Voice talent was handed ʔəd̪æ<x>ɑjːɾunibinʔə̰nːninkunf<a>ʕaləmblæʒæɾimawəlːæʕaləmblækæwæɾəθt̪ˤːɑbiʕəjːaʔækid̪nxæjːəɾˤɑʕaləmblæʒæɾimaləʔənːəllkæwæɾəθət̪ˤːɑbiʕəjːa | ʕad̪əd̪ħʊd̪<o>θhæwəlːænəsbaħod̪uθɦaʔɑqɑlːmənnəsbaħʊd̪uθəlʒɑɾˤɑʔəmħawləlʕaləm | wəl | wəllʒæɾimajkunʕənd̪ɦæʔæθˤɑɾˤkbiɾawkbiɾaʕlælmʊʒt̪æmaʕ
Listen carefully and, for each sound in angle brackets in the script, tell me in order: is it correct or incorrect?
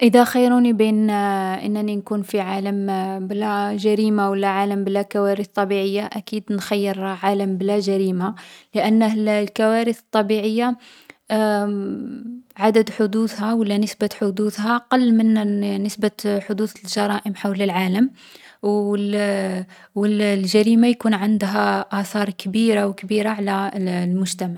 correct, incorrect, incorrect

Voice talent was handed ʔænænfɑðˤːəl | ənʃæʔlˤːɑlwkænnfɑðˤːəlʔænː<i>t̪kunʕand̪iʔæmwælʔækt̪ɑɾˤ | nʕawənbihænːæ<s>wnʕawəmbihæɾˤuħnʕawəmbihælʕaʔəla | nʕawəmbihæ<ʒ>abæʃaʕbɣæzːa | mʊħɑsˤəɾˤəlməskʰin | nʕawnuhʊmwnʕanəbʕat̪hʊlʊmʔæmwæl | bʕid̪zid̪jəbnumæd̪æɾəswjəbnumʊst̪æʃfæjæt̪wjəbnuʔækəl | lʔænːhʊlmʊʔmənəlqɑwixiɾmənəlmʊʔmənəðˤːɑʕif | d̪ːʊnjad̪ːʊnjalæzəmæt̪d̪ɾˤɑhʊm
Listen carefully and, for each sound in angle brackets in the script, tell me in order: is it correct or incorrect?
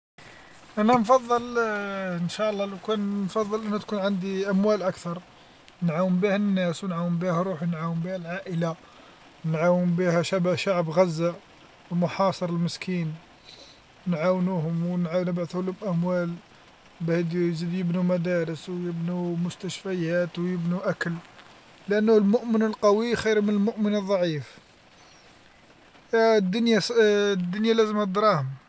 incorrect, correct, incorrect

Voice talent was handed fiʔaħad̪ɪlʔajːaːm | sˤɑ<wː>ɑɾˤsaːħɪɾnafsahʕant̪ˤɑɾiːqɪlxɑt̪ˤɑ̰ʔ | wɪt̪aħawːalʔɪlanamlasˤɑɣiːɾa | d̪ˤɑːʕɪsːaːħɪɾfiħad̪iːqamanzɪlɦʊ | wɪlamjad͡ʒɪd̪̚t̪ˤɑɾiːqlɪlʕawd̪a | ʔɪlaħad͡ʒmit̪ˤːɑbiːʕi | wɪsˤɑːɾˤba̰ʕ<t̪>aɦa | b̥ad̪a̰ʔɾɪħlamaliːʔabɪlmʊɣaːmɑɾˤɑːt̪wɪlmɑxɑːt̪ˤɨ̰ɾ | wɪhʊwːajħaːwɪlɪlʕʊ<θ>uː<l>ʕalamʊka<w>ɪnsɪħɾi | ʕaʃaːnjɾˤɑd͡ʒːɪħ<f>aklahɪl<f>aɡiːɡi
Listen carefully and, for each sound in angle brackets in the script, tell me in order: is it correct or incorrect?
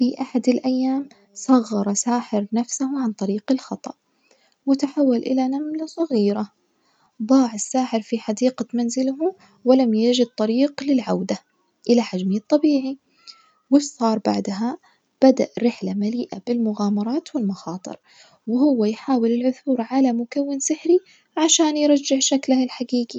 incorrect, incorrect, correct, incorrect, incorrect, incorrect, incorrect

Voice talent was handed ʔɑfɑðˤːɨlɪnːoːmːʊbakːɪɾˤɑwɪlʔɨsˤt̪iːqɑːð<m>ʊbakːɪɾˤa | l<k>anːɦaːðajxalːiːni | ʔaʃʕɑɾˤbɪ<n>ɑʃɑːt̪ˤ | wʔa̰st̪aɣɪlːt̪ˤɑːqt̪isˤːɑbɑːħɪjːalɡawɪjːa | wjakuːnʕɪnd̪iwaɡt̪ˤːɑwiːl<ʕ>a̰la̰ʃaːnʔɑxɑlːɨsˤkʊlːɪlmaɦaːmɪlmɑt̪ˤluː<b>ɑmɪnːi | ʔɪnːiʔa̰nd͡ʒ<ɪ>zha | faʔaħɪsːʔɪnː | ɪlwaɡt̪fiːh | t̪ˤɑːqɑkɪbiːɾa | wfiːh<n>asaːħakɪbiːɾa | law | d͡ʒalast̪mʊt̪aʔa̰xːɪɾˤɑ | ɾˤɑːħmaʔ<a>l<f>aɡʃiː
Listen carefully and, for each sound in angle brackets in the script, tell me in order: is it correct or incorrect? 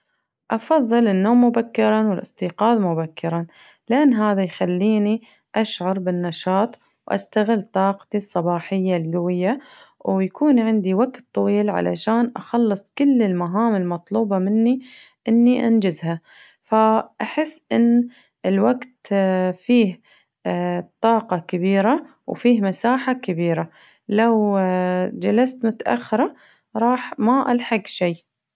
correct, incorrect, incorrect, correct, correct, correct, incorrect, correct, incorrect

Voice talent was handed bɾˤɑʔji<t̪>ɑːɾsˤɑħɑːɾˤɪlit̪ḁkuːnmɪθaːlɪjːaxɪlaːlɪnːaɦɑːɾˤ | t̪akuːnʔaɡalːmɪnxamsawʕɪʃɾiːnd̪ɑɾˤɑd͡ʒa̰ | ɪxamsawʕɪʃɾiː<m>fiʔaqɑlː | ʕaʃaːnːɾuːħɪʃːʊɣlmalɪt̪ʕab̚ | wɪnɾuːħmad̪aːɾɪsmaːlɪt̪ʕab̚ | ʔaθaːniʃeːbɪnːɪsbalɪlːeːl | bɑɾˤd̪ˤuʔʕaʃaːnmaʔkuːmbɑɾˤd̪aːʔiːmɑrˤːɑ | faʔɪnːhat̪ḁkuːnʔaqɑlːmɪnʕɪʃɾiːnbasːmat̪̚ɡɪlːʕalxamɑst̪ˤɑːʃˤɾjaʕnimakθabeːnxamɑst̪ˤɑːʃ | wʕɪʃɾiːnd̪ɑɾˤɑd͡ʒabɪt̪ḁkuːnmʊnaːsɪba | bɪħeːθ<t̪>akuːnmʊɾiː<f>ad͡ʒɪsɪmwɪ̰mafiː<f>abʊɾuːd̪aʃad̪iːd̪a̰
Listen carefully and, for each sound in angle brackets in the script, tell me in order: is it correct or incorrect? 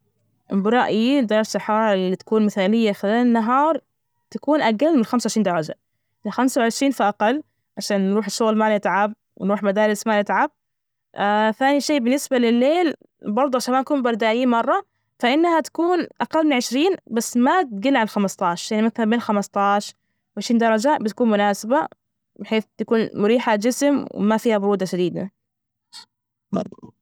incorrect, incorrect, correct, incorrect, incorrect

